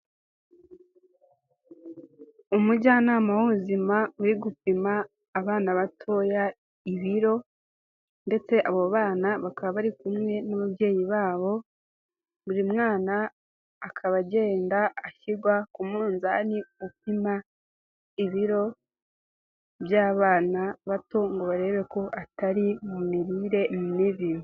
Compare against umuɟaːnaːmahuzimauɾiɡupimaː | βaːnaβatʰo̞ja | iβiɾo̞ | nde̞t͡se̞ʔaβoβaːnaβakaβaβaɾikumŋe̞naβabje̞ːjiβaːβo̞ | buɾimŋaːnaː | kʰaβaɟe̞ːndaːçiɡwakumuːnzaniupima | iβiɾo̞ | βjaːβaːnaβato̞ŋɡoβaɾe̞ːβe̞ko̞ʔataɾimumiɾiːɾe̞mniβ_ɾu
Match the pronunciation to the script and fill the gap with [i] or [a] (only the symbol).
i